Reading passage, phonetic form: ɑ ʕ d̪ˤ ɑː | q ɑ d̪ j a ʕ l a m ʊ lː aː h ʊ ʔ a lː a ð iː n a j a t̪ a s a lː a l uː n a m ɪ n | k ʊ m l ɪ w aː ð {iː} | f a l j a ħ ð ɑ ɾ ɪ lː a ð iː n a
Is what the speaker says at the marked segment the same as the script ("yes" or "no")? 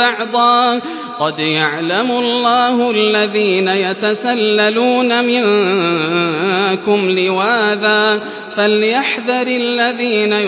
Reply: no